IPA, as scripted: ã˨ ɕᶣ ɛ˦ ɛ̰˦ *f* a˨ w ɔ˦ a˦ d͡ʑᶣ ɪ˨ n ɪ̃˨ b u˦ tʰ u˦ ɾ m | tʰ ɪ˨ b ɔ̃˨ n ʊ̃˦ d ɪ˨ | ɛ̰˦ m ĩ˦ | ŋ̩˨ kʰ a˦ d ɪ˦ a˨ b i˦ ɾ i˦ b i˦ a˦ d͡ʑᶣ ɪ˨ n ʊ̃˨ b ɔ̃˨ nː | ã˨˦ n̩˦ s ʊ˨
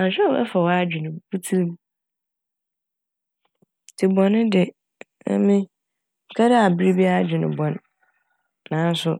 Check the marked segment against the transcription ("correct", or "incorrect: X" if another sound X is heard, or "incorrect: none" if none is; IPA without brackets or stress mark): correct